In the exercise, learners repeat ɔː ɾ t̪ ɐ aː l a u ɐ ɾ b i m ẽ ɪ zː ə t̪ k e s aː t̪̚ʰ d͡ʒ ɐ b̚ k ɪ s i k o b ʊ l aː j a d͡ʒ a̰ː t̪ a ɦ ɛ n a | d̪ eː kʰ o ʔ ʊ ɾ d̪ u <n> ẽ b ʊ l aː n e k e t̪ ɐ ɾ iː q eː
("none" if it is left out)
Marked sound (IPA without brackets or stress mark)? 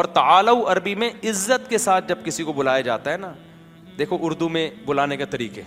m